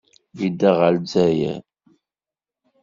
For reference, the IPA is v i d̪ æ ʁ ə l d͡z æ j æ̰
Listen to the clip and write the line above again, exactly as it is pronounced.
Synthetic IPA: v i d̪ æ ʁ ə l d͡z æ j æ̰